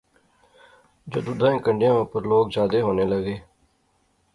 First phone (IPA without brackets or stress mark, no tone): d͡ʒ